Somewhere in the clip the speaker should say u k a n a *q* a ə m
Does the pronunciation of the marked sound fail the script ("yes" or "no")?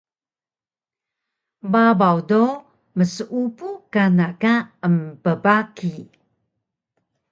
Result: yes